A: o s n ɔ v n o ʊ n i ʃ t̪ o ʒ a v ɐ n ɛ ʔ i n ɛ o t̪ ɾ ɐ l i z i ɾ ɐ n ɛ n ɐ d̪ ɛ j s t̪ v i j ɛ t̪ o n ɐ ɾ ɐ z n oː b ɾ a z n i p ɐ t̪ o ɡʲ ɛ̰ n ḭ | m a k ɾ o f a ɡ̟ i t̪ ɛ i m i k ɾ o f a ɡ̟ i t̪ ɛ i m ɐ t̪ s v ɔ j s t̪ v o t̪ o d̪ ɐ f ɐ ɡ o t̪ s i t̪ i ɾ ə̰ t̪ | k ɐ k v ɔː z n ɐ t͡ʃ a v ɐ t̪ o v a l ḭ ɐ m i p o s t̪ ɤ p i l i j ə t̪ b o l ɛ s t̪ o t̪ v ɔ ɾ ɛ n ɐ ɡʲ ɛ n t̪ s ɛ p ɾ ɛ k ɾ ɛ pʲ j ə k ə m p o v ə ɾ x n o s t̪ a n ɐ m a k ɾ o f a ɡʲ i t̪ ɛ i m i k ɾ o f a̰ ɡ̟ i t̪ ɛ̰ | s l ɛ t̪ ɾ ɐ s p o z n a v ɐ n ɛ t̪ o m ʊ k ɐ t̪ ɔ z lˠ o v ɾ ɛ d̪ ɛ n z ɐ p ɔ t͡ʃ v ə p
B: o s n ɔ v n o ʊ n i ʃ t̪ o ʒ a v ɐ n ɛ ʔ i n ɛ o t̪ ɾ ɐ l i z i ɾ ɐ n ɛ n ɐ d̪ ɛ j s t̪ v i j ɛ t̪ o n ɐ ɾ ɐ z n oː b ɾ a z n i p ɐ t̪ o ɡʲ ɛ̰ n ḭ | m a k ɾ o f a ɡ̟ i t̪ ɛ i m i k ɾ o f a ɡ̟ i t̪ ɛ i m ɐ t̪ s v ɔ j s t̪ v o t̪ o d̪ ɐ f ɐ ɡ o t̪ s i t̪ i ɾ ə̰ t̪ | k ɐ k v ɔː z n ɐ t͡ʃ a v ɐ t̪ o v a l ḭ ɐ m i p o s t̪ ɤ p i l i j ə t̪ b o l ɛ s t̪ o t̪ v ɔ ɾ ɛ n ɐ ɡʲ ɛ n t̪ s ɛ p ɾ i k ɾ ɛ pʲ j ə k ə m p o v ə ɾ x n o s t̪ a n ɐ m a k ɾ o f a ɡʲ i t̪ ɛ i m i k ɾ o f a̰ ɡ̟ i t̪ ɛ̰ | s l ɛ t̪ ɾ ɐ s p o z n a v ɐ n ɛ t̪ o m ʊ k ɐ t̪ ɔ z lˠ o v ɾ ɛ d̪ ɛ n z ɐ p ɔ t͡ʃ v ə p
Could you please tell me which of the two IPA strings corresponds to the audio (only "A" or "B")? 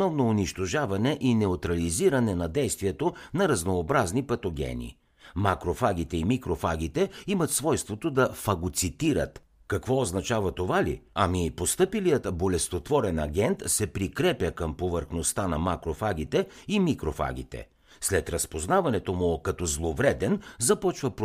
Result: B